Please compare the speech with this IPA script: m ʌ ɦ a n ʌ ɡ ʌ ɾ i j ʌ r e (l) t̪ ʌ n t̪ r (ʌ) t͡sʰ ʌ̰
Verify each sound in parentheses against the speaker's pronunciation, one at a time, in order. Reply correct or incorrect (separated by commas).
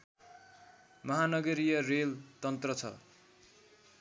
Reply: correct, correct